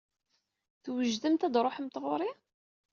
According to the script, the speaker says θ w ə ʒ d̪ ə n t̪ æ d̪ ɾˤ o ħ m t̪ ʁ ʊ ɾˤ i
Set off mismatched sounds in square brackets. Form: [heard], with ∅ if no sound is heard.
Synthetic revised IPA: θ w ə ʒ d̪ ə [m] t̪ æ d̪ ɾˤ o ħ m t̪ ʁ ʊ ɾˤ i